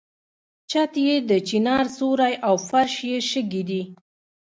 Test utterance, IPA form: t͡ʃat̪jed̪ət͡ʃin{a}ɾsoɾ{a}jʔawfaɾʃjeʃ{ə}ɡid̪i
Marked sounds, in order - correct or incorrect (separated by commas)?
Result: incorrect, correct, correct